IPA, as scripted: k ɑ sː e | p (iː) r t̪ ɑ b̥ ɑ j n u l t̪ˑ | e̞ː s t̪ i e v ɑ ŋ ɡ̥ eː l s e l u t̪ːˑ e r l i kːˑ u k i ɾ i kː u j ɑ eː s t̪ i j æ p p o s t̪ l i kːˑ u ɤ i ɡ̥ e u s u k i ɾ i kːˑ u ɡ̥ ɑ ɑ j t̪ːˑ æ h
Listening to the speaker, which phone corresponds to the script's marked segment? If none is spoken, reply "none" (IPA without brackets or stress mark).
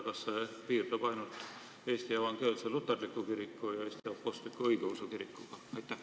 iː